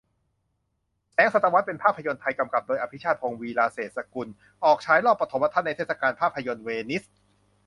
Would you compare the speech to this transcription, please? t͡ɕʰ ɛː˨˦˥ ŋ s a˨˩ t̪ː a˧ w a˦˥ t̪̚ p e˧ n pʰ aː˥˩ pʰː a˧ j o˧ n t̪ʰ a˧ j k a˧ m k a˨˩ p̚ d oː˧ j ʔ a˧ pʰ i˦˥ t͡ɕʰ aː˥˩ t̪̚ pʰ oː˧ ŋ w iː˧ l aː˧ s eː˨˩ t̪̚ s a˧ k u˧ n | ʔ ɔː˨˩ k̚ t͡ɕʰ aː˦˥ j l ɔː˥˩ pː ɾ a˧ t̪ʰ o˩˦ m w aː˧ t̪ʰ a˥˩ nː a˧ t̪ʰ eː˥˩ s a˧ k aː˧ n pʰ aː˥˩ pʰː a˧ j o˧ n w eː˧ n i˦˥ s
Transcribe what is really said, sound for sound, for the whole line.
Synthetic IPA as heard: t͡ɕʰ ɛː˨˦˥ ŋ s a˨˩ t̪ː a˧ w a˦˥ t̪̚ p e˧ n pʰ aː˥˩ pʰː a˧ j o˧ n t̪ʰ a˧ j k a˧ m k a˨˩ p̚ d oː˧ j ʔ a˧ pʰ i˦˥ t͡ɕʰ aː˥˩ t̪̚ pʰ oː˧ ŋ w iː˧ l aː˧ s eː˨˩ t̪̚ s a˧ k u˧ n | ʔ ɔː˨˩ k̚ t͡ɕʰ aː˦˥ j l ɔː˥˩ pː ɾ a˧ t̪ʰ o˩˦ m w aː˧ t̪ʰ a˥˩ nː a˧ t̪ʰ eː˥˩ s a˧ k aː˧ n pʰ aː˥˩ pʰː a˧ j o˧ n w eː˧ n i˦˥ s